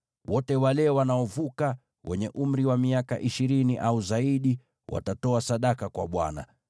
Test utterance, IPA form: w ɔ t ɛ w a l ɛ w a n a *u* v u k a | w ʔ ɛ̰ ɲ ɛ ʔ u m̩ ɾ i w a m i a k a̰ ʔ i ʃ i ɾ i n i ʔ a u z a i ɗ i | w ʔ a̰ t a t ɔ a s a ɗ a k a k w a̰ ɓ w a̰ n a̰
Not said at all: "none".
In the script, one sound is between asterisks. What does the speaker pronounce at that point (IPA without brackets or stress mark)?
ɔ